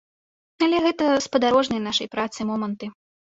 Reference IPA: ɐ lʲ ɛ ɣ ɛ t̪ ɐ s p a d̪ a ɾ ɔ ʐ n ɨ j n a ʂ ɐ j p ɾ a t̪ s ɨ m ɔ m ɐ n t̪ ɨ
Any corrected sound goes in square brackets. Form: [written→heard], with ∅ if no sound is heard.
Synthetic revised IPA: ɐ lʲ ɛ ɣ ɛ t̪ ɐ s p [a→ɐ] d̪ a ɾ ɔ ʐ n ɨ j n a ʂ ɐ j p ɾ a t̪ s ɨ m ɔ m ɐ n t̪ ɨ